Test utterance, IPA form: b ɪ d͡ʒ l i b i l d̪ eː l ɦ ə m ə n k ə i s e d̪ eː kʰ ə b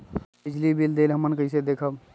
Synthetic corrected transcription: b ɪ d͡ʒ l i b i l d̪ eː l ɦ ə m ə n k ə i s e d̪ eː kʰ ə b